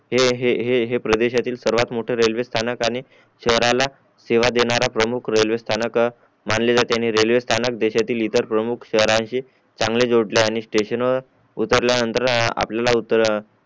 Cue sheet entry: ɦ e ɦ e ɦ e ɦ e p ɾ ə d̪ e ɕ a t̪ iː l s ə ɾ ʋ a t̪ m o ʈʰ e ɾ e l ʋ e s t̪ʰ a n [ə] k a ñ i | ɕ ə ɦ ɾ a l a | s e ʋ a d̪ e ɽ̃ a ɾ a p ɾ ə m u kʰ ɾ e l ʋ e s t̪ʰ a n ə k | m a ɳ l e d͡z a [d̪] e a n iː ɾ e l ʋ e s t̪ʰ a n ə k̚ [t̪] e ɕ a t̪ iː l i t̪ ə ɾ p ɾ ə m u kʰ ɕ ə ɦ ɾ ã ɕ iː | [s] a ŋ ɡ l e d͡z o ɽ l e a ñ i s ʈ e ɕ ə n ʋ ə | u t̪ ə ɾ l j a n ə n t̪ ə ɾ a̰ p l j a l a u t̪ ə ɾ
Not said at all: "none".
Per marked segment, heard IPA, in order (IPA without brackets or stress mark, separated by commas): ə, t̪, d̪, t͡s